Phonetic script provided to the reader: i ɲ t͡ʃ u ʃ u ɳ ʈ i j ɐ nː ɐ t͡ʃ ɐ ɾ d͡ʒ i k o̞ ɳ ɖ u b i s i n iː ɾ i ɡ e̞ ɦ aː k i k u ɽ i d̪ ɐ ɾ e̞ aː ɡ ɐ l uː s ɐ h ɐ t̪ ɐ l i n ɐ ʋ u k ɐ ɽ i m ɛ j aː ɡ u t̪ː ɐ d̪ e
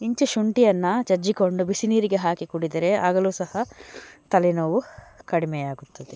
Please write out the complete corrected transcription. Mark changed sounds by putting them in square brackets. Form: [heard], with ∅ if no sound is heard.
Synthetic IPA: i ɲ t͡ʃ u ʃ u ɳ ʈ i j ɐ nː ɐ t͡ʃ ɐ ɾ d͡ʒ i k o̞ ɳ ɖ u b i s i n iː ɾ i ɡ e̞ ɦ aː k i k u ɽ i d̪ ɐ ɾ e̞ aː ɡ ɐ l uː s ɐ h ɐ t̪ ɐ l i n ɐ ʋ u k ɐ ɽ i m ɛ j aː ɡ u t̪ː ɐ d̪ e

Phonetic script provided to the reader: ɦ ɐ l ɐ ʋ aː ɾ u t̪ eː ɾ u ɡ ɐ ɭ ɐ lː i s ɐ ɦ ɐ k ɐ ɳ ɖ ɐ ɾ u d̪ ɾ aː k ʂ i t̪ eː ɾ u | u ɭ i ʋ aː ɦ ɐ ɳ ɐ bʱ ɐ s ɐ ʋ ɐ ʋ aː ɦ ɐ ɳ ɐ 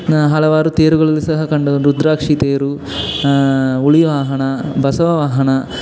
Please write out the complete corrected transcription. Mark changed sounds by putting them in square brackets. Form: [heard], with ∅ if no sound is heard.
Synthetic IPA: ɦ ɐ l ɐ ʋ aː ɾ u t̪ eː ɾ u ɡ ɐ ɭ ɐ lː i s ɐ ɦ ɐ k ɐ ɳ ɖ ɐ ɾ u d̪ ɾ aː k ʂ i t̪ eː ɾ u | u ɭ i ʋ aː ɦ ɐ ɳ ɐ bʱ ɐ s ɐ ʋ ɐ ʋ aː ɦ ɐ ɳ ɐ

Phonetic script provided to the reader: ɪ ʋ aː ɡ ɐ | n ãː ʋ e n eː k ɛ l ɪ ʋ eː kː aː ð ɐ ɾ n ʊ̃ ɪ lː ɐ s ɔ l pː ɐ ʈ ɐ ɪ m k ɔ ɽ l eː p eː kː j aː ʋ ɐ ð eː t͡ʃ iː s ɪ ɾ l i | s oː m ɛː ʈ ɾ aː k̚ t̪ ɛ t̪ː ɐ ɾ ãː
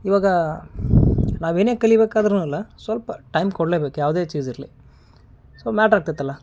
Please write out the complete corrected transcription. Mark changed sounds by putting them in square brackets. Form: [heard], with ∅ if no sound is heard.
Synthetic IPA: ɪ ʋ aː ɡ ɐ | n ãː ʋ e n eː k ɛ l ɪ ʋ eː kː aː ð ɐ ɾ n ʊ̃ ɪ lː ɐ s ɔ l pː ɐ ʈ ɐ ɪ m k ɔ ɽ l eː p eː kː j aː ʋ ɐ ð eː t͡ʃ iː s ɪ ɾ l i | s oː m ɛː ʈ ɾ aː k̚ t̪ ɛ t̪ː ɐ [l] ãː

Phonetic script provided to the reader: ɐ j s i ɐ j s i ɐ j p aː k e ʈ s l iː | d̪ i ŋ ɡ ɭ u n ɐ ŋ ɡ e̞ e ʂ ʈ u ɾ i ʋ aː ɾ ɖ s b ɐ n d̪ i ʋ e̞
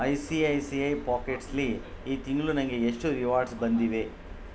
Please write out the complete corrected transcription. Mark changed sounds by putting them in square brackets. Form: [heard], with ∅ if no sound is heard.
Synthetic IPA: ɐ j s i ɐ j s i ɐ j p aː k e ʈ s l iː | [t̪] i ŋ ɡ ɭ u n ɐ ŋ ɡ e̞ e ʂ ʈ u ɾ i ʋ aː ɾ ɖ s b ɐ n d̪ i ʋ e̞

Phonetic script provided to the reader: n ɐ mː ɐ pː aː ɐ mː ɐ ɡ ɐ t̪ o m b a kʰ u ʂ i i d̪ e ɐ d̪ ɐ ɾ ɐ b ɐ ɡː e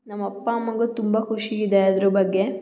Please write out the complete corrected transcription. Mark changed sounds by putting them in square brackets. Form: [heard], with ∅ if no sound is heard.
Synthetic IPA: n ɐ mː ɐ pː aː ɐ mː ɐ ɡ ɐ t̪ [u] m b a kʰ u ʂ i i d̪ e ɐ d̪ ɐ ɾ ɐ b ɐ ɡː e

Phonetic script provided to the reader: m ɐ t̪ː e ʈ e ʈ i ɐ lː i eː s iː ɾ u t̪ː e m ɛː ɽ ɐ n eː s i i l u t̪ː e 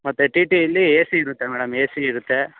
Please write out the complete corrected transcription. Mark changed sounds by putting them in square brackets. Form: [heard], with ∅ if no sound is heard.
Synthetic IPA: m ɐ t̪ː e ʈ [i] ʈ i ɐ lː i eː s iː ɾ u t̪ː e m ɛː ɽ ɐ [m] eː s i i [ɾ] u t̪ː e

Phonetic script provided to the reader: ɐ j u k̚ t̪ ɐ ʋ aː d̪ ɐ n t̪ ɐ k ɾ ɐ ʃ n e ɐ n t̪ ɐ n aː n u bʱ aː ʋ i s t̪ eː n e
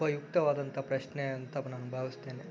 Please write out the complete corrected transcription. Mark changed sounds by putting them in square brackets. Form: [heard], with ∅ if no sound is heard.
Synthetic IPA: ɐ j u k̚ t̪ ɐ ʋ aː d̪ ɐ n t̪ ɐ [p] ɾ ɐ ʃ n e ɐ n t̪ ɐ n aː n u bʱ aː ʋ i s t̪ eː n e

